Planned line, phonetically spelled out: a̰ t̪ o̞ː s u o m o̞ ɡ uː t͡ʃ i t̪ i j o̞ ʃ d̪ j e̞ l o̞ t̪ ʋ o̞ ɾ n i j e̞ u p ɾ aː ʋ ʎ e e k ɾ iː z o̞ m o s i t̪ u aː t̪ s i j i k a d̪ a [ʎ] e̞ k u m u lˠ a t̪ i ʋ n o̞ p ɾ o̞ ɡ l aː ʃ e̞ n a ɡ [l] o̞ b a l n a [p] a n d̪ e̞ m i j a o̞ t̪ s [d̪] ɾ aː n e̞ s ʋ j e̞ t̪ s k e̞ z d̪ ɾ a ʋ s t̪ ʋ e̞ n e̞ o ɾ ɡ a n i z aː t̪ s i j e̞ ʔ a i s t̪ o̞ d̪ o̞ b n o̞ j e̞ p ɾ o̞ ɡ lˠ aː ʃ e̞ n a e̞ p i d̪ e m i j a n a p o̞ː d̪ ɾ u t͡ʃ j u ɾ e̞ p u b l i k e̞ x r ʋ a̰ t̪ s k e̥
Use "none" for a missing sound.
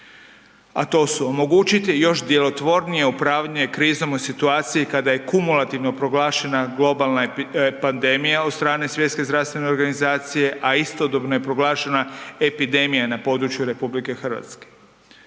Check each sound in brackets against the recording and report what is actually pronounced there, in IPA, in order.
j, l, p, t̪

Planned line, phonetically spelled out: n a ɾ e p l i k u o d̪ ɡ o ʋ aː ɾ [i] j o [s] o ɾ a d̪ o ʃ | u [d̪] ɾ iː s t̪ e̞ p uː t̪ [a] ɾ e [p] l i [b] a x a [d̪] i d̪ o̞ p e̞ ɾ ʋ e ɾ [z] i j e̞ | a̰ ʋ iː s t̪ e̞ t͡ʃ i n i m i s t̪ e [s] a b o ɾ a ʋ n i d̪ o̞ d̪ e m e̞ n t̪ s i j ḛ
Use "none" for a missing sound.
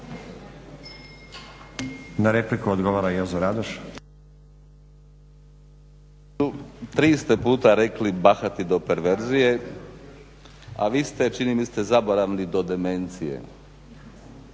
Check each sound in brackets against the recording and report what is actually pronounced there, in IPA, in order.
a, z, t̪, a, k, b, t̪, z, z

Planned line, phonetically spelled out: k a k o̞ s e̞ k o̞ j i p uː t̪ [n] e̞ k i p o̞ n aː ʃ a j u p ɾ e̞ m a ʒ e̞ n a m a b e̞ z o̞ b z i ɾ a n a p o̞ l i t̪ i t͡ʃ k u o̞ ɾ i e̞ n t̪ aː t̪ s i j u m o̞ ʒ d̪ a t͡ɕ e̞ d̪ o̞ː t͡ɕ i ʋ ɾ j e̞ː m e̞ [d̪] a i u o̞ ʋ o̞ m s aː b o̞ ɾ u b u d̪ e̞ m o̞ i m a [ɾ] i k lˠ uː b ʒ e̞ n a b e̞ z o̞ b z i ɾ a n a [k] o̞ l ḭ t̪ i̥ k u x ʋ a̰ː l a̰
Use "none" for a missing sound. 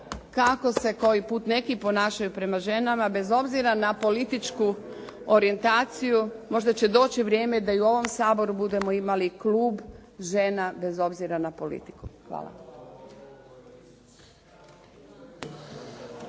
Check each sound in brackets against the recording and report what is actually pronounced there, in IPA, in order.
n, d̪, l, p

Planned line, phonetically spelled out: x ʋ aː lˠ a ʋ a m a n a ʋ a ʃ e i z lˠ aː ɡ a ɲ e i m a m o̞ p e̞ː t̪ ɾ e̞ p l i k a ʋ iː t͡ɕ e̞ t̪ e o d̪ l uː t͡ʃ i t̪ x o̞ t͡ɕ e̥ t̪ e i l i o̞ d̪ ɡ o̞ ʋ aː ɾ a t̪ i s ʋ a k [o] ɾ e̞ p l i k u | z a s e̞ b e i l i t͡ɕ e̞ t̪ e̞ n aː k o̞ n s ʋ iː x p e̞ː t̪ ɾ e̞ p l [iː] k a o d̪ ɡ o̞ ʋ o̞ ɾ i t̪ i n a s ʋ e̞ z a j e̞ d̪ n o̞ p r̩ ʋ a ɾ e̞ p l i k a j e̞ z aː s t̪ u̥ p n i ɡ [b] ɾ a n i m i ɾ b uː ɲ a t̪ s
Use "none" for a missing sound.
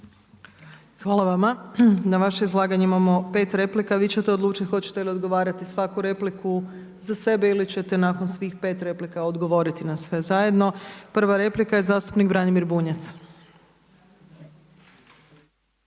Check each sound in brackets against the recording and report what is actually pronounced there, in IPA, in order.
u, i, b

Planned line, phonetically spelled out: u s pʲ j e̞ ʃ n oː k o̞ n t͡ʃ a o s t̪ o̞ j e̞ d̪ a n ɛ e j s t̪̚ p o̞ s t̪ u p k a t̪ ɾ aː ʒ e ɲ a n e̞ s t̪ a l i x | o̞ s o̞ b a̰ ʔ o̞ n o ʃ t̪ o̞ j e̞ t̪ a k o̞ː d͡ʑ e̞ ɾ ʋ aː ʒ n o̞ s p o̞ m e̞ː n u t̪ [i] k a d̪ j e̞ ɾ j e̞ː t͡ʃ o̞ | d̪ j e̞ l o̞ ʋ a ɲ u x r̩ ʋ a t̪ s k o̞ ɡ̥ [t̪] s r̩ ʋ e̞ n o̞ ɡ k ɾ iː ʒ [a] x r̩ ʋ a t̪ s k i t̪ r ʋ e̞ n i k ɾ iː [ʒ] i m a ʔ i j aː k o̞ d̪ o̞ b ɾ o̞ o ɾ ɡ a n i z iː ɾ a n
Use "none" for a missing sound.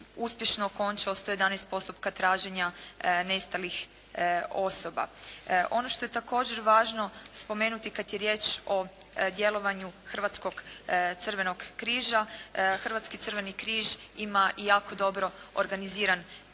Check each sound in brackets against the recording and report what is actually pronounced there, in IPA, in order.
i, t̪, a, ʒ

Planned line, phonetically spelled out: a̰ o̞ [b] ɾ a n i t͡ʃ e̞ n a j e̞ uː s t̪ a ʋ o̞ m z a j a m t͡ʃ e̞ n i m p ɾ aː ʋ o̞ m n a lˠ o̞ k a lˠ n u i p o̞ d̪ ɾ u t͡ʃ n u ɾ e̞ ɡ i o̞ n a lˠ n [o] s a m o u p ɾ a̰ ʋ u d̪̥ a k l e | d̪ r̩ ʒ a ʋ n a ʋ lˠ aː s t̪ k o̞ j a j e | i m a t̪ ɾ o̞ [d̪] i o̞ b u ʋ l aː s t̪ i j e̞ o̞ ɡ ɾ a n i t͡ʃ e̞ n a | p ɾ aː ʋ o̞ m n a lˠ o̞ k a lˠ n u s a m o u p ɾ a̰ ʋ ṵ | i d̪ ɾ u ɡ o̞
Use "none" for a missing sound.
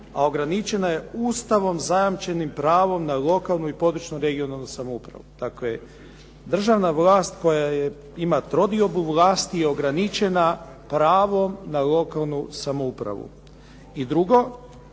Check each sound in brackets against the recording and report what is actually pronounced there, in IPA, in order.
ɡ, u, d̪

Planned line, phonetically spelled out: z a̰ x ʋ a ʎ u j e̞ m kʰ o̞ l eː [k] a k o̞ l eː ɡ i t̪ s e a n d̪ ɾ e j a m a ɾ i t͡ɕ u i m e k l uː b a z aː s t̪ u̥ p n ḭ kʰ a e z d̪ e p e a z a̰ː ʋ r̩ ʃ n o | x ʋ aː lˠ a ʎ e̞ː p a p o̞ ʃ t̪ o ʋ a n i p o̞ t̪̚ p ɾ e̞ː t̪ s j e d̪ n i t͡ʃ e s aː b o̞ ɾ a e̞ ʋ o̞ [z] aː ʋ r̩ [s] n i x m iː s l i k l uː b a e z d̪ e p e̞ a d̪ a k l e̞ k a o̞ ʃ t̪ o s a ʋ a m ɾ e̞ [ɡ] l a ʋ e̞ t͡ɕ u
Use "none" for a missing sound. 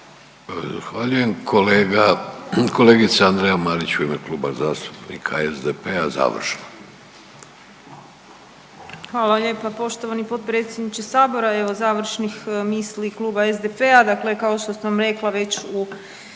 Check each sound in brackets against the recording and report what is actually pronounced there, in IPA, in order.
ɡ, z, ʃ, k

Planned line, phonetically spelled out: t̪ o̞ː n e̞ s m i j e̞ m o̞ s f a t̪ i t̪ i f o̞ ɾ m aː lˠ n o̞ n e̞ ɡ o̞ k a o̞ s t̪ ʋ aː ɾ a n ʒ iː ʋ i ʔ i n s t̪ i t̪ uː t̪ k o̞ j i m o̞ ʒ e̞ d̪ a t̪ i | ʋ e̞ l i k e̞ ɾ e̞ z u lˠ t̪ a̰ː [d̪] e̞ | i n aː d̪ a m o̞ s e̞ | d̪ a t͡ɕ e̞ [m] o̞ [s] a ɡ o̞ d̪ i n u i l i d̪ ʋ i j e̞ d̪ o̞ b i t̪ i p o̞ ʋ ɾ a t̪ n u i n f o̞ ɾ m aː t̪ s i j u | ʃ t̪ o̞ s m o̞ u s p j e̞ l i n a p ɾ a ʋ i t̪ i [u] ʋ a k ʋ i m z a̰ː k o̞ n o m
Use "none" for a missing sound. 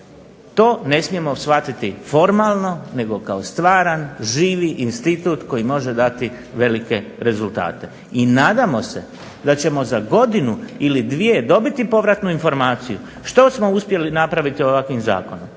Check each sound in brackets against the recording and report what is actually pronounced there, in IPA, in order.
t̪, m, z, o

